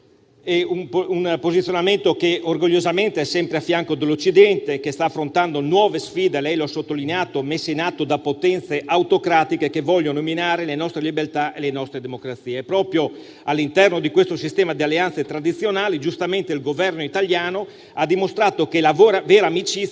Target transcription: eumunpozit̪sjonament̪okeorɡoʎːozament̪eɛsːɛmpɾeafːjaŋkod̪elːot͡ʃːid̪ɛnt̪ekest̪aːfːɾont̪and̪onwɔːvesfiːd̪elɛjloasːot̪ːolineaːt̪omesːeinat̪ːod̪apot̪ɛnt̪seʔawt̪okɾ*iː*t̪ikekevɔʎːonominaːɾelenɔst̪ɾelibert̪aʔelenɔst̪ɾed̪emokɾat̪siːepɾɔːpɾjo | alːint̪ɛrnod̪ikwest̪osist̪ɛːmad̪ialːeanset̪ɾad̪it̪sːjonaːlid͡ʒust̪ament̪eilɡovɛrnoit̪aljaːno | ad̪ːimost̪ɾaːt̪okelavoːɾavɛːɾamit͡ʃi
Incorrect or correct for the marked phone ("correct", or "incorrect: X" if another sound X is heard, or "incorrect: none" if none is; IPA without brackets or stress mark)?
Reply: incorrect: aː